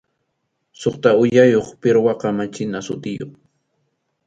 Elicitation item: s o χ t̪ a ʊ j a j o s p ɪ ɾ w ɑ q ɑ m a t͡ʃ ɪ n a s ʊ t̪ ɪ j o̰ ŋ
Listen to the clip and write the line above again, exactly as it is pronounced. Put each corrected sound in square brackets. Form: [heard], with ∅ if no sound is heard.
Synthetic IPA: s o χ t̪ a ʊ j a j o [χ] p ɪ ɾ w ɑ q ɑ m a t͡ʃ ɪ n a s ʊ t̪ ɪ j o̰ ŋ